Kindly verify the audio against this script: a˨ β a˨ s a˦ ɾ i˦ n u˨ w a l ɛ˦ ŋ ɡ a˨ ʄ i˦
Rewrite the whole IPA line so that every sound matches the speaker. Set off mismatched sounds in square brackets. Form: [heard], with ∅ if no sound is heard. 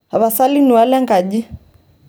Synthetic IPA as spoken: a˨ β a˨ s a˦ [l] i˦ n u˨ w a l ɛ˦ ŋ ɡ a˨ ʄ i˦